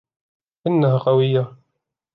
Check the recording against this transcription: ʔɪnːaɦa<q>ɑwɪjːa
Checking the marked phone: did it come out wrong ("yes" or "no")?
no